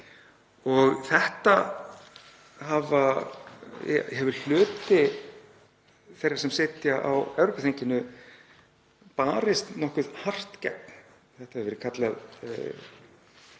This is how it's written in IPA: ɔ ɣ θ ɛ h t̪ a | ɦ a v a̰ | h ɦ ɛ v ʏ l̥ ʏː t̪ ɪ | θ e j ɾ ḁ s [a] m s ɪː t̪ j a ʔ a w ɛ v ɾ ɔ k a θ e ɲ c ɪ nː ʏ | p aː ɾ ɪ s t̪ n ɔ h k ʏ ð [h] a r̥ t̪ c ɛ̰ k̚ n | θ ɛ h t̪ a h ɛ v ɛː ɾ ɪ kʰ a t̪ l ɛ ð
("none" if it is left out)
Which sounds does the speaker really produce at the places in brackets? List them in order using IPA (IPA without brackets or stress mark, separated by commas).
ɛ, h